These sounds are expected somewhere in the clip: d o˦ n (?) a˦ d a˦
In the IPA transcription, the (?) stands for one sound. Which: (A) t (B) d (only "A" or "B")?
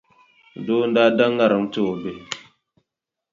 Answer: B